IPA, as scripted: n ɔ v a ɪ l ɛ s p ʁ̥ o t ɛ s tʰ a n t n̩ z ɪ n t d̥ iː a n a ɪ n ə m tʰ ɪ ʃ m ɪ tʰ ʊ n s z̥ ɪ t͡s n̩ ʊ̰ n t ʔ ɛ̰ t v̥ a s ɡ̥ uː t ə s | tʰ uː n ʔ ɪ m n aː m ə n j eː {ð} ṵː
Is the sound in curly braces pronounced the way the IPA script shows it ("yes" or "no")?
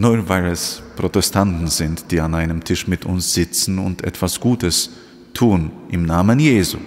no